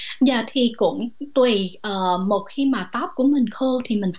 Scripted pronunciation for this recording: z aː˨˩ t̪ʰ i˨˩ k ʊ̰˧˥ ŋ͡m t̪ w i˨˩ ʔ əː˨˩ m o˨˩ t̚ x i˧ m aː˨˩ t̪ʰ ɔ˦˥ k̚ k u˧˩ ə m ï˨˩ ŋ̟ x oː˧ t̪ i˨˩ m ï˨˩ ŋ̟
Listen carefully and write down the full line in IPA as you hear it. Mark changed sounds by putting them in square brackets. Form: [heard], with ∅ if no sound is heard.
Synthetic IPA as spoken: z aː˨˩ t̪ʰ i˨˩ k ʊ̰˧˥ ŋ͡m t̪ w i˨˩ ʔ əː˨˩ m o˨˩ t̚ x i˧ m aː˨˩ [t̪] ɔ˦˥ [p̚] k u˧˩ ə m ï˨˩ ŋ̟ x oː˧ [t̪ʰ] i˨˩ m ï˨˩ ŋ̟

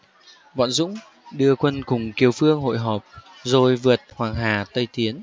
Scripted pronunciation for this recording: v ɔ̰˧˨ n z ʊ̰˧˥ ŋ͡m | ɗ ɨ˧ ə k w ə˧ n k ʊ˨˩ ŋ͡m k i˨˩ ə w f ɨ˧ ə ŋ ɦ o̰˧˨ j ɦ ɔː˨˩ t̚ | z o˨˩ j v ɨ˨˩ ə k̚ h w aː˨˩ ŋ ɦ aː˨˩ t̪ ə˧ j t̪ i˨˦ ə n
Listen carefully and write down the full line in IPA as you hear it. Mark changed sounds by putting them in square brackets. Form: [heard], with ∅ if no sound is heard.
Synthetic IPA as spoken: v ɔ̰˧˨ n z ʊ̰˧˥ ŋ͡m | ɗ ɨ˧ ə k w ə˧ n k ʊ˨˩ ŋ͡m k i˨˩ ə w f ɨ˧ ə ŋ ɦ o̰˧˨ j ɦ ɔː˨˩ [p̚] | z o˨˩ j v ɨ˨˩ ə [t̚] h w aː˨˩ ŋ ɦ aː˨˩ t̪ ə˧ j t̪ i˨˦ ə n

